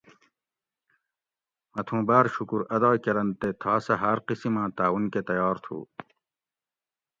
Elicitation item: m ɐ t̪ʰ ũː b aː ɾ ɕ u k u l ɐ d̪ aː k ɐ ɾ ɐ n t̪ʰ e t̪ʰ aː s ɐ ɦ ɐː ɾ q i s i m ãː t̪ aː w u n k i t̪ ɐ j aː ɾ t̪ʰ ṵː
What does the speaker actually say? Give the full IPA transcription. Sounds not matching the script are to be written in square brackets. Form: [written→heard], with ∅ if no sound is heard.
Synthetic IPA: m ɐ t̪ʰ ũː b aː ɾ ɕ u k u [l→ɾ] ɐ d̪ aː k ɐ ɾ ɐ n [t̪ʰ→t̪] e t̪ʰ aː s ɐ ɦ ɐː ɾ q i s i m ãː t̪ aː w u n k [i→e] t̪ ɐ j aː ɾ t̪ʰ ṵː